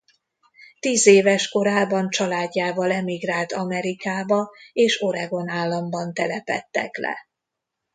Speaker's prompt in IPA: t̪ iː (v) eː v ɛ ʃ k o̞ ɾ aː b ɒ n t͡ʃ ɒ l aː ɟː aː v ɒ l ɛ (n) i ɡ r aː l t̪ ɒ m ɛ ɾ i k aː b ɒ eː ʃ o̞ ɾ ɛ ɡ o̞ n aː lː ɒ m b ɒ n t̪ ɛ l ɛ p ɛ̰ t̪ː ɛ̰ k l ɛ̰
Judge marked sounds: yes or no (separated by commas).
no, no